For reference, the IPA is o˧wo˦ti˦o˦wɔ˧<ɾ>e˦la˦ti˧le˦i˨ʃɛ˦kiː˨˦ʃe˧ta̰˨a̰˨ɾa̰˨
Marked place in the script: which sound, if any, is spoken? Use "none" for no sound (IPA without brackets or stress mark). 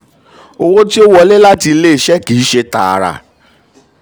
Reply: l